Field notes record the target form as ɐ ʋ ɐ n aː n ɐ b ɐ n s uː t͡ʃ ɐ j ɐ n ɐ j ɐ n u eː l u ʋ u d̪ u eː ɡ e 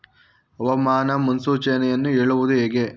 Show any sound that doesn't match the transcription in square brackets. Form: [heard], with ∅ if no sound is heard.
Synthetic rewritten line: ɐ ʋ ɐ [m] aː n ɐ [m] ɐ n s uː t͡ʃ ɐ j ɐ n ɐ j ɐ [nː] u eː [ɭ] u ʋ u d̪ u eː ɡ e